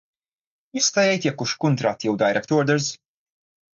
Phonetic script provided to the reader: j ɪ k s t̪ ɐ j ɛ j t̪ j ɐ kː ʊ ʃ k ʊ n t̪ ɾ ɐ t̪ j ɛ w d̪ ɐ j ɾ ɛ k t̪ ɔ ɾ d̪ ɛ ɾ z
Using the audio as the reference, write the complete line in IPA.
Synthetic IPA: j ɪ s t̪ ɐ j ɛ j t̪ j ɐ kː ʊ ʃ k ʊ n t̪ ɾ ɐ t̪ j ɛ w d̪ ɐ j ɾ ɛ k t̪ ɔ ɾ d̪ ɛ ɾ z